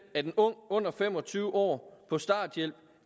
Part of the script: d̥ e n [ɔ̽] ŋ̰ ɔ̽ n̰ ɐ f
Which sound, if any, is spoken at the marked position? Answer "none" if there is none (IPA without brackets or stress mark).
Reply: ɔ̽